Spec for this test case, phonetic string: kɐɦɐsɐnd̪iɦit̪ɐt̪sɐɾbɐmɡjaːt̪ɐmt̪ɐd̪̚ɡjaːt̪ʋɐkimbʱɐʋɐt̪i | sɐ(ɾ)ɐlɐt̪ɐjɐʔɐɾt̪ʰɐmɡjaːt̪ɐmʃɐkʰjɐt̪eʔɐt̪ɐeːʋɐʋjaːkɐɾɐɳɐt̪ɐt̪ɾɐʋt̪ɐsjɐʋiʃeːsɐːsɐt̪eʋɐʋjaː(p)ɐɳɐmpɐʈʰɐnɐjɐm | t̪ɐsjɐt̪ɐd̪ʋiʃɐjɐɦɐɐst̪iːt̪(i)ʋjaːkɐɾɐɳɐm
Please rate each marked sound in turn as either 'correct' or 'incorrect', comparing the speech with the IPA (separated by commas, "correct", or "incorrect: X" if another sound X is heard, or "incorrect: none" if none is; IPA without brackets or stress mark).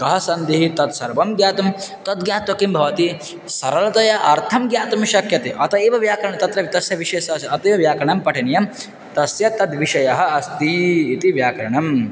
correct, incorrect: k, correct